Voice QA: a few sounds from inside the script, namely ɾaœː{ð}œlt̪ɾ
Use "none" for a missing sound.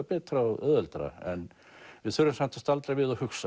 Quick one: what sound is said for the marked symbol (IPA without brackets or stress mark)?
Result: ð